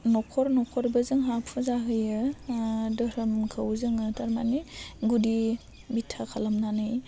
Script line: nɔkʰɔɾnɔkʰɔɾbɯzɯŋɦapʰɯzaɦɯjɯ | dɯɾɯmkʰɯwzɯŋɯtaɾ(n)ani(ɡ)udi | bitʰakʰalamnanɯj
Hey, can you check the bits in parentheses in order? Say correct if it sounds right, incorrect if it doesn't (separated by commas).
incorrect, correct